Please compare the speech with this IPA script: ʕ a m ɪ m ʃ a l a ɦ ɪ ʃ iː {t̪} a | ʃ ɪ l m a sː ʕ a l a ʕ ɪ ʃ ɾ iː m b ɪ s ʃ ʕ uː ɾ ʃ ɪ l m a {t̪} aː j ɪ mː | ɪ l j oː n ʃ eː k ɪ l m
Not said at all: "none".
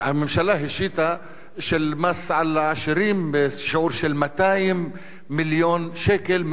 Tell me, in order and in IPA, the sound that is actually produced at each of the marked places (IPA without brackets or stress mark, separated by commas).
t̪, t̪